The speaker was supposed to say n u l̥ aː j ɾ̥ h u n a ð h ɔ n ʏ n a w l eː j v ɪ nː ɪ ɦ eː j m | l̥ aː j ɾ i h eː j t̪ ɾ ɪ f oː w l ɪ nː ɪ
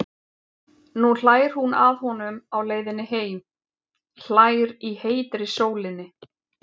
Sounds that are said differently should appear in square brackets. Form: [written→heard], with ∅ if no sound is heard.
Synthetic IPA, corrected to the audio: n u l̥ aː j ɾ̥ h u n a ð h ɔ n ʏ [n→m] a w l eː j [v→ð] ɪ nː ɪ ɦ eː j m | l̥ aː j ɾ i h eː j t̪ ɾ ɪ [f→s] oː w l ɪ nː ɪ

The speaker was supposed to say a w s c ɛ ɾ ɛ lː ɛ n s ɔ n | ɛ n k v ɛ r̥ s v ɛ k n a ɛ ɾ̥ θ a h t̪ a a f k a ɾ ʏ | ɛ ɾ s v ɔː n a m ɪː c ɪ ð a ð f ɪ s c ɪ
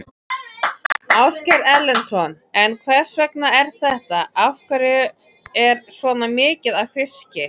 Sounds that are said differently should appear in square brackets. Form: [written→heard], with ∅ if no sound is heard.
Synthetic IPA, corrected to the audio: a w s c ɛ ɾ ɛ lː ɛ n s ɔ n | ɛ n [k→kʰ] v ɛ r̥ s v ɛ k n a ɛ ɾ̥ θ [a→ɛ] h t̪ a a f k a ɾ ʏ | ɛ ɾ s v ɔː n a m ɪː c ɪ ð a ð f ɪ s c ɪ

